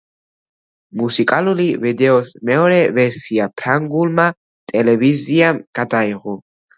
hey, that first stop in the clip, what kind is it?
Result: ejective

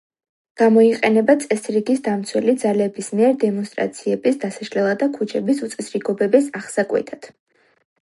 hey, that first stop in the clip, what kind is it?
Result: plain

